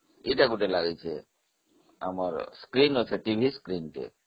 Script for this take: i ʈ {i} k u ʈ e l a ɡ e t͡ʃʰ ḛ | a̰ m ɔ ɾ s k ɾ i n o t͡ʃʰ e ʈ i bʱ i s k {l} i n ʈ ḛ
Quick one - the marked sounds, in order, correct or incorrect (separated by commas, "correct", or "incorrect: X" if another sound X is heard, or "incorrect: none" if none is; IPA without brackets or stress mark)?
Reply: incorrect: a, incorrect: ɾ